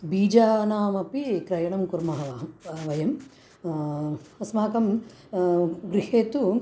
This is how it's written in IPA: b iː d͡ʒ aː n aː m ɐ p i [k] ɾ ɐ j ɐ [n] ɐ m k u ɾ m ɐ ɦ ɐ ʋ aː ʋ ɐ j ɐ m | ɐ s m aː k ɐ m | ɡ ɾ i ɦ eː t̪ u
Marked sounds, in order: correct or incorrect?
correct, incorrect

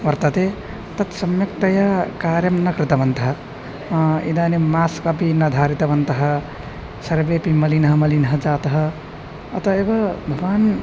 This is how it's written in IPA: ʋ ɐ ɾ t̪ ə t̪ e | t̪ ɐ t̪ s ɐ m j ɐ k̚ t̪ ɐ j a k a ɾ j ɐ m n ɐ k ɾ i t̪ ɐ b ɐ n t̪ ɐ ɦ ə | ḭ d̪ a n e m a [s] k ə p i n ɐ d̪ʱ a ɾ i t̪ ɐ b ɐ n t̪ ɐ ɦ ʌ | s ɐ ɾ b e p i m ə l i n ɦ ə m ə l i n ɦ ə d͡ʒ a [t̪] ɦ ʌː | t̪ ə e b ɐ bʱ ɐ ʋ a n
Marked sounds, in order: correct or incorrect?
correct, correct

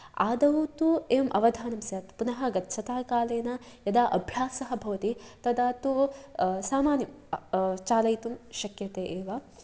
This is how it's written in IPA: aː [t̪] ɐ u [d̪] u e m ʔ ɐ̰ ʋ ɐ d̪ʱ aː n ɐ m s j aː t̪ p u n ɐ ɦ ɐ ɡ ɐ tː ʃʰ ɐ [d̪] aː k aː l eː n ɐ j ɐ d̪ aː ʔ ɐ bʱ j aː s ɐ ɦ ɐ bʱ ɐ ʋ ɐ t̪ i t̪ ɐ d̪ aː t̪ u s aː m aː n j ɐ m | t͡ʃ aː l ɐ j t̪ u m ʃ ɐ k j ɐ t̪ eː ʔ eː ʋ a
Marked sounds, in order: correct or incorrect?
incorrect, incorrect, incorrect

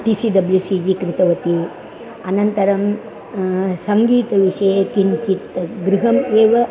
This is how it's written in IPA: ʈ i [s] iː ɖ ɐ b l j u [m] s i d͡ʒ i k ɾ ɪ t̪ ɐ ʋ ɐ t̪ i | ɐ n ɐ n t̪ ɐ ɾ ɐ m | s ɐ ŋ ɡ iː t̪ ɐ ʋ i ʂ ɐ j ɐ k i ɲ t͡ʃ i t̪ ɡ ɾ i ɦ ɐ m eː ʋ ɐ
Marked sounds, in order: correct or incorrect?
correct, incorrect

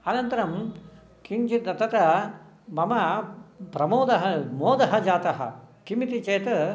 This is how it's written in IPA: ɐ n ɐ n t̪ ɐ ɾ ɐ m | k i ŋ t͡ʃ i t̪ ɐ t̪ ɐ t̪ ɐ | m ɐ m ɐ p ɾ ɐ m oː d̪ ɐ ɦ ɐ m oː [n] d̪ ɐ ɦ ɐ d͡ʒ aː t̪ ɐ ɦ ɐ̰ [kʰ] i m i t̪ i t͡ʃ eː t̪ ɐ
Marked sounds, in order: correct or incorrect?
incorrect, incorrect

